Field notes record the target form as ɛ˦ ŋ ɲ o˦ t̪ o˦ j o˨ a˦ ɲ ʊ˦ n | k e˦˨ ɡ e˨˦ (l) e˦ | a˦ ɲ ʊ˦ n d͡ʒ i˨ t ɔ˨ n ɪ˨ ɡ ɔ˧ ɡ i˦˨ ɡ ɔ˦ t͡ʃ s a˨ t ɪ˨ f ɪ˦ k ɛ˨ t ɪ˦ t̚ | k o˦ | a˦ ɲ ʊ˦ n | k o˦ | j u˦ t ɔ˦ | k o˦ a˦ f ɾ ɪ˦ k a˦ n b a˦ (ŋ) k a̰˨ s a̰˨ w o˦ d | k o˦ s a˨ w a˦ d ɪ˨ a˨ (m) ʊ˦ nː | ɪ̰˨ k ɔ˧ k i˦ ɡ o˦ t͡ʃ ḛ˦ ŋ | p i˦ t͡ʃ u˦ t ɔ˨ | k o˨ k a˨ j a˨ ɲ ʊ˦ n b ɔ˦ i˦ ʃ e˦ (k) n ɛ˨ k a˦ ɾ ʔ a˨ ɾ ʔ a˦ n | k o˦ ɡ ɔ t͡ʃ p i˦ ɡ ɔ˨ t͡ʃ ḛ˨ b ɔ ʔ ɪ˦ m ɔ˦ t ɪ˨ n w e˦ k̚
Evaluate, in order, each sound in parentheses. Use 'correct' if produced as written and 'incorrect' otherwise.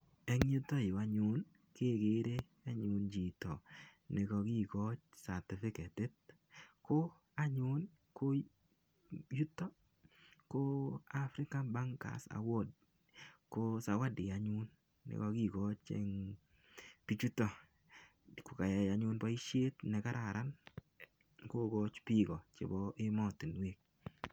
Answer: incorrect, correct, incorrect, incorrect

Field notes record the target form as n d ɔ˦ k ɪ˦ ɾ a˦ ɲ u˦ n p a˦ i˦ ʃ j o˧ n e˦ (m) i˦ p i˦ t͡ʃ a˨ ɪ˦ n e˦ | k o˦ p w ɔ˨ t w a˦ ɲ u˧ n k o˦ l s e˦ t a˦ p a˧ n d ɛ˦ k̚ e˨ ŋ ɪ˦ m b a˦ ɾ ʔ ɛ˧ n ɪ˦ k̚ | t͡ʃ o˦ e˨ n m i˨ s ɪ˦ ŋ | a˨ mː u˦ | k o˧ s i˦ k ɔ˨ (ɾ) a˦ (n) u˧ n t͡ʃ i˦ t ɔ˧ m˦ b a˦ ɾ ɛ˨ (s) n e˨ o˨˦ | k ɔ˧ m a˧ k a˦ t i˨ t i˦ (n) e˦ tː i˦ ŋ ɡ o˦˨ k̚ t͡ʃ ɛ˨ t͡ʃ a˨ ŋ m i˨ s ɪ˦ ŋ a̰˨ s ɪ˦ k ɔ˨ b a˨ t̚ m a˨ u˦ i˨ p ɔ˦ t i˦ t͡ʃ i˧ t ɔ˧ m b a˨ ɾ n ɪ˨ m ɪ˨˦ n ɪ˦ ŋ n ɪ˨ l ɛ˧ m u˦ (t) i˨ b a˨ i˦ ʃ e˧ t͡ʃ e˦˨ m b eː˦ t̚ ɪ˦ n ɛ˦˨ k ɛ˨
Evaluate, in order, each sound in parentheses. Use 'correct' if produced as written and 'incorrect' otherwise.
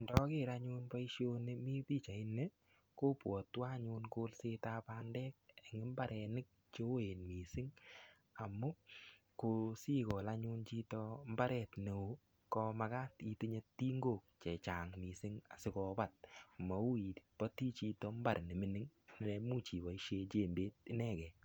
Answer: correct, incorrect, incorrect, incorrect, incorrect, incorrect

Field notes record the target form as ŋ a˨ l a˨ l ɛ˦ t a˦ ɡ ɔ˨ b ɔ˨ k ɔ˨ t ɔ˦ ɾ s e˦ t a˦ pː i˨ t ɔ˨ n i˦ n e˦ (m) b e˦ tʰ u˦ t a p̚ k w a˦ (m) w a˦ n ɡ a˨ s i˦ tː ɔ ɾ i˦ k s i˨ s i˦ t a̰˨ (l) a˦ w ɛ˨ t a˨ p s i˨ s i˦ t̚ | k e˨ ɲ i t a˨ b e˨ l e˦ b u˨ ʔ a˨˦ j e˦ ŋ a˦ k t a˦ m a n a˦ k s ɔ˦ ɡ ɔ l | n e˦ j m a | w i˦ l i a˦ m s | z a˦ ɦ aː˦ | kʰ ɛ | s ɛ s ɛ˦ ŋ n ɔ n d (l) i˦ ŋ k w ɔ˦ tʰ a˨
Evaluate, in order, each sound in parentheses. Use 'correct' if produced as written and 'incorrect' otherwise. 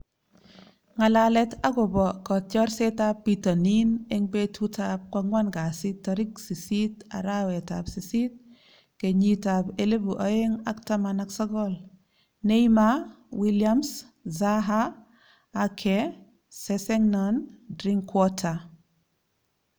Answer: incorrect, incorrect, incorrect, incorrect

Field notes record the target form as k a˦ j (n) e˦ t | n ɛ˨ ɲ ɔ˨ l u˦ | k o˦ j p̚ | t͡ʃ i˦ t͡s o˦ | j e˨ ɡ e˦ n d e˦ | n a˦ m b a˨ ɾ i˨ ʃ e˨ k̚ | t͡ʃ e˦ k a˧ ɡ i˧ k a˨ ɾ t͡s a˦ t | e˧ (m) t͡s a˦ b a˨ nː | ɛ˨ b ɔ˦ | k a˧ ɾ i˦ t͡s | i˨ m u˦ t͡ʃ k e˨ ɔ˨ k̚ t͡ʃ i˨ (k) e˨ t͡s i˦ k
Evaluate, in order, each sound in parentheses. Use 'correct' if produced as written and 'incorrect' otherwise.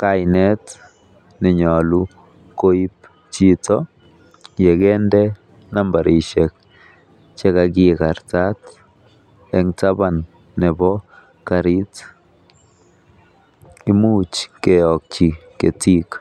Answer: correct, incorrect, correct

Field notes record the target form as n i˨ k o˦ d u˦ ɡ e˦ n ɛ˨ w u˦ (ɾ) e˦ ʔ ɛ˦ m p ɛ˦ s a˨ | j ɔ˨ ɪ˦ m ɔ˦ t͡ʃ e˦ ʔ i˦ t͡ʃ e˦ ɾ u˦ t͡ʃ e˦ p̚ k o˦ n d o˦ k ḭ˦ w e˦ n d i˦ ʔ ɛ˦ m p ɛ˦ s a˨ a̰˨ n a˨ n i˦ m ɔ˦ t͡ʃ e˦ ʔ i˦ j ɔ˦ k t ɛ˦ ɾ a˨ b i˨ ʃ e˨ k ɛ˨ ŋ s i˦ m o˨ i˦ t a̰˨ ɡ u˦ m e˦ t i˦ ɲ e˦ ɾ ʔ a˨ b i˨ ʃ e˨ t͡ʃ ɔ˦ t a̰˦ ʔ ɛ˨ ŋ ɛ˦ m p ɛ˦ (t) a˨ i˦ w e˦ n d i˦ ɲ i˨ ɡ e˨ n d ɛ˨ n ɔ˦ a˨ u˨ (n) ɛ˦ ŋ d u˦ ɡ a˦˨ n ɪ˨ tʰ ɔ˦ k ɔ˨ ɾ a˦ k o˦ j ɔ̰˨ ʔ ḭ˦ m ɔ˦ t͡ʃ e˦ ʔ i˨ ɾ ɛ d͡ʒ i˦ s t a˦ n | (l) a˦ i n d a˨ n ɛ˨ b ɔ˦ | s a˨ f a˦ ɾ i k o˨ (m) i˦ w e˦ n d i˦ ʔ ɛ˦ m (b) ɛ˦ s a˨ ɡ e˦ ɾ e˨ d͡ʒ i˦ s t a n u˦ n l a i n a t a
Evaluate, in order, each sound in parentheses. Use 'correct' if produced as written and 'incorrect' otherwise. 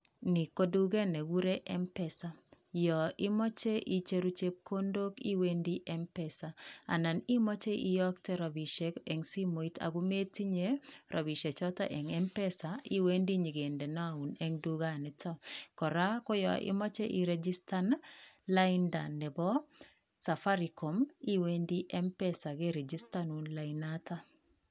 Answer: correct, incorrect, correct, correct, correct, incorrect

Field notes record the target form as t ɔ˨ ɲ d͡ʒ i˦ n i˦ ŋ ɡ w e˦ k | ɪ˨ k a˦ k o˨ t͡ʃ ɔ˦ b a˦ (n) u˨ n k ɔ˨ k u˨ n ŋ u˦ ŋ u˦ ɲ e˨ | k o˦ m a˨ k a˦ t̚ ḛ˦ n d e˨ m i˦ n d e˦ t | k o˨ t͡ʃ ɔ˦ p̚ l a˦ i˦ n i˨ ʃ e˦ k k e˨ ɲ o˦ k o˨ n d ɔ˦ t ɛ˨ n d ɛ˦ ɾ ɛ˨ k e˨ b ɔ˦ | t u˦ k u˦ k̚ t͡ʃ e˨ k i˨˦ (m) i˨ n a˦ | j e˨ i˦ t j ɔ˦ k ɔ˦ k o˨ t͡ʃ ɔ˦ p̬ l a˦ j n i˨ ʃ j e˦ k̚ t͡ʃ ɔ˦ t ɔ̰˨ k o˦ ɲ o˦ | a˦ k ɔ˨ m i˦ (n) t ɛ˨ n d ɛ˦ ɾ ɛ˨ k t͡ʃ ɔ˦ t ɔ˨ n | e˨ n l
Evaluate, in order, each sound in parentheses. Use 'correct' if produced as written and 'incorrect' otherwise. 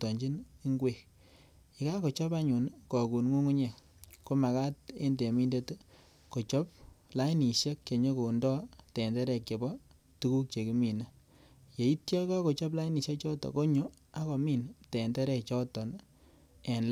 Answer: incorrect, correct, correct

